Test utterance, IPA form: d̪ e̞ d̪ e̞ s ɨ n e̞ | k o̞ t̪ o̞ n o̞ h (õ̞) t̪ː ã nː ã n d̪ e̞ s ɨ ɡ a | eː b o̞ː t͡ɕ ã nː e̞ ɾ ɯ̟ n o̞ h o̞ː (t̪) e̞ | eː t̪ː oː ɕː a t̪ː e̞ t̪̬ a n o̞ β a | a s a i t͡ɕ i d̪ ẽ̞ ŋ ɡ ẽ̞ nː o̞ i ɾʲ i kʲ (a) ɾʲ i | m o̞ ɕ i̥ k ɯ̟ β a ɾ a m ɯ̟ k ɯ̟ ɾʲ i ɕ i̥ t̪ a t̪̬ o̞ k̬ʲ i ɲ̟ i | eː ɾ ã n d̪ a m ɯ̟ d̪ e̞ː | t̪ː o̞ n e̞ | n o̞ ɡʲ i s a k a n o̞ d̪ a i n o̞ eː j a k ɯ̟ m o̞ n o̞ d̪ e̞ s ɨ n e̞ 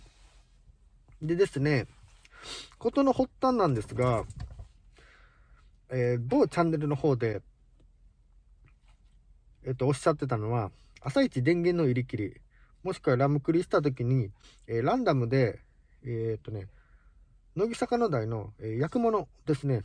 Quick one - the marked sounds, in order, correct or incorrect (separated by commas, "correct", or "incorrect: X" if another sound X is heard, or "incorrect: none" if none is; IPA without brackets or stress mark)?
incorrect: o̞, incorrect: d̪, incorrect: i